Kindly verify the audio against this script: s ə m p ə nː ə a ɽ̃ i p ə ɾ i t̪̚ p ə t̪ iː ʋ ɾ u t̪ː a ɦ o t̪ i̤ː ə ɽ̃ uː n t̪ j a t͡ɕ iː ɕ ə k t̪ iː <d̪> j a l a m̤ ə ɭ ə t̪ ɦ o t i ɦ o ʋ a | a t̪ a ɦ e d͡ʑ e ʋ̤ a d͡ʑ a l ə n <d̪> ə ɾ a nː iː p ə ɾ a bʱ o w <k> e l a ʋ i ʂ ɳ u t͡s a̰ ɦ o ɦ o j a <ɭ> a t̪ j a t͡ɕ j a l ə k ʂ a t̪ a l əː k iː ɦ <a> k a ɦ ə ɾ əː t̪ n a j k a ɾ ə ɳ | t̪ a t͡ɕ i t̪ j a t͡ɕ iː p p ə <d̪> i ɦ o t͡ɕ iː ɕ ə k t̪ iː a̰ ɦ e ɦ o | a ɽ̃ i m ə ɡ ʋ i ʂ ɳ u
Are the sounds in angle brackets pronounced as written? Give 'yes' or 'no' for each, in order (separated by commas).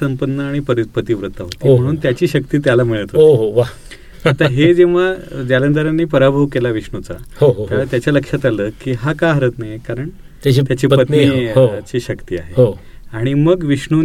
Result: no, yes, yes, no, yes, no